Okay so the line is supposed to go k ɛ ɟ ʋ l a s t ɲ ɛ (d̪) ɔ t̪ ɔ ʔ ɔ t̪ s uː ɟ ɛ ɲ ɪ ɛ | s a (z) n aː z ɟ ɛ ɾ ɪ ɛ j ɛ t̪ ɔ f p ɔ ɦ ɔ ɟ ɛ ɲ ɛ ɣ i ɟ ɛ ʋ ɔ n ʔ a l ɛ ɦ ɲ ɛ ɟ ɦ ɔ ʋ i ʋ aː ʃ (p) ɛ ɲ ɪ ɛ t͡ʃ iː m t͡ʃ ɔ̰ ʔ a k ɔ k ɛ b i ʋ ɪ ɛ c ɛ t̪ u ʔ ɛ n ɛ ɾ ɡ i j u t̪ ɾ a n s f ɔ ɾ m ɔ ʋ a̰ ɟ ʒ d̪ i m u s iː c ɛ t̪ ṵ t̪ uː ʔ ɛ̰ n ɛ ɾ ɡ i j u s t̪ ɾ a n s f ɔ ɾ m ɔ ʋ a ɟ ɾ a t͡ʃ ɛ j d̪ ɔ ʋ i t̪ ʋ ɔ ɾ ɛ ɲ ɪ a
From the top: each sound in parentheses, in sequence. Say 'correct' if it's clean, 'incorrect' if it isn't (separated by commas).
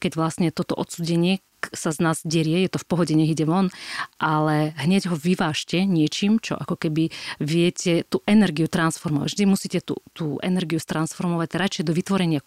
incorrect, correct, incorrect